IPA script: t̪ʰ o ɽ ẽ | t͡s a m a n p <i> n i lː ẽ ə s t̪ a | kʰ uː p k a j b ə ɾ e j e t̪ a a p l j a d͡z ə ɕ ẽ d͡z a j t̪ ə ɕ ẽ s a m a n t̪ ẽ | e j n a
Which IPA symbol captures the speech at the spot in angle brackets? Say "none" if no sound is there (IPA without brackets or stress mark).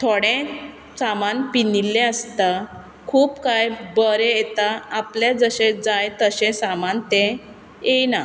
i